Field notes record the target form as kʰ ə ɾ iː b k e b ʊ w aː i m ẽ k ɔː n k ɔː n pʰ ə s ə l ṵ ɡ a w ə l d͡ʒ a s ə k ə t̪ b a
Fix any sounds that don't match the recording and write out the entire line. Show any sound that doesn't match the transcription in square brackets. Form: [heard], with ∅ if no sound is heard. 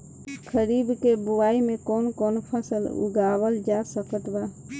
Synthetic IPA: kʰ ə ɾ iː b k e b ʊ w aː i m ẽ k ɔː n k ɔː n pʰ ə s ə l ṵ ɡ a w ə l d͡ʒ a s ə k ə t̪ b a

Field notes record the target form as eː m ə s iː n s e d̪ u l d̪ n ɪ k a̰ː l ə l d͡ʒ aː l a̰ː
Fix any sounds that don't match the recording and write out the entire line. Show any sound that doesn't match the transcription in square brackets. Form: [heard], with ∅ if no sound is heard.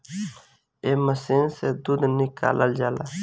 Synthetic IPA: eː m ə s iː n s e d̪ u [∅] d̪ n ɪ k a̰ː l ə l d͡ʒ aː l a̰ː

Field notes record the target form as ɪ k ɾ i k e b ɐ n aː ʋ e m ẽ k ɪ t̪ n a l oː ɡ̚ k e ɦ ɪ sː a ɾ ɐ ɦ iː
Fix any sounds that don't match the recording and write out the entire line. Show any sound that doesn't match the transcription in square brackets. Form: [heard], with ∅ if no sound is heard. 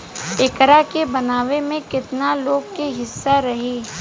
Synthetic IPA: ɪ k ɾ [a] k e b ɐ n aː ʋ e m ẽ k ɪ t̪ n a l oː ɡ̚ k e ɦ ɪ sː a ɾ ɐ ɦ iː

